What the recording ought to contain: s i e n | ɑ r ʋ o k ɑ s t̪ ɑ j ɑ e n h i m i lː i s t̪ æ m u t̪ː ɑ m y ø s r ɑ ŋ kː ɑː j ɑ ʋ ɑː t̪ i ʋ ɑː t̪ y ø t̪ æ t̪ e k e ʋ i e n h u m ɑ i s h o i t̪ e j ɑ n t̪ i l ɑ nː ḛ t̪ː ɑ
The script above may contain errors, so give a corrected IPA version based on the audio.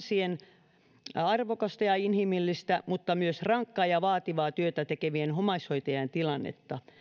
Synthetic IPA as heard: s i e n | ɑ r ʋ o k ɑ s t̪ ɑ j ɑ i n h i m i lː i s t̪ æ m u t̪ː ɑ m y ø s r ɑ ŋ kː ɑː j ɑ ʋ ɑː t̪ i ʋ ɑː t̪ y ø t̪ æ t̪ e k e ʋ i e n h o m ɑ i s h o i t̪ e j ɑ n t̪ i l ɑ nː ḛ t̪ː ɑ